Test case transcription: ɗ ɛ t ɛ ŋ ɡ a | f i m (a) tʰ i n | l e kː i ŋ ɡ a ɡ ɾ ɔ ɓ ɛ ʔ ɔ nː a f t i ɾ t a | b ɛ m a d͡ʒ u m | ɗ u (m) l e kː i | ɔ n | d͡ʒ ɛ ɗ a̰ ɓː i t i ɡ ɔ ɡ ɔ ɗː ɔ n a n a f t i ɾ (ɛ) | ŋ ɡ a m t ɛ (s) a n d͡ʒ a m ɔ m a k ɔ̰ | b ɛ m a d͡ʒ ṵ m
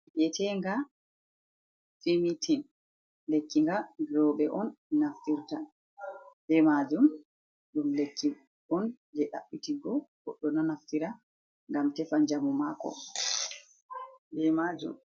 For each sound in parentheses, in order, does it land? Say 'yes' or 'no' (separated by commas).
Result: no, yes, no, no